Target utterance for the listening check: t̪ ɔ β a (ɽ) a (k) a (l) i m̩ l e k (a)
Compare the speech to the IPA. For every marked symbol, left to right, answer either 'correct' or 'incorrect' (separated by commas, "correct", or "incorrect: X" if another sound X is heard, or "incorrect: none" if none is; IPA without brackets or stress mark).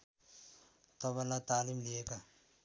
incorrect: l, incorrect: t, correct, correct